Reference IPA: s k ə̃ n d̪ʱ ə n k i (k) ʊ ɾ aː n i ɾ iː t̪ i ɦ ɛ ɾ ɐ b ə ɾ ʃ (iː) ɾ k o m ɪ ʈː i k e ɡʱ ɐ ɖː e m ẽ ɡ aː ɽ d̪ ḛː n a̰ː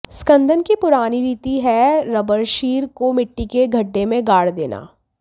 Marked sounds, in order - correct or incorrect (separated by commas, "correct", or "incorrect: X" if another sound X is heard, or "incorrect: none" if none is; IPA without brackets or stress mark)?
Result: incorrect: p, correct